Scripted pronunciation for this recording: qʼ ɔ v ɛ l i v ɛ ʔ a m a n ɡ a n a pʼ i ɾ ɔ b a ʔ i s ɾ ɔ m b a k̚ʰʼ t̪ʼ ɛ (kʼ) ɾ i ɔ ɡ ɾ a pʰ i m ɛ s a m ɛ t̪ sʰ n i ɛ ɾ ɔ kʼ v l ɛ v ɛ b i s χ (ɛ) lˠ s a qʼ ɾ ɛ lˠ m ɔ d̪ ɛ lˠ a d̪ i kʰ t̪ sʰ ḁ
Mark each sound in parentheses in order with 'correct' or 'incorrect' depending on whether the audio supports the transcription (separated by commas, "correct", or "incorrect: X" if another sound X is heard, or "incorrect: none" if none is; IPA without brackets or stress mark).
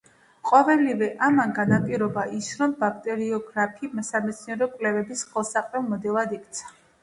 incorrect: none, correct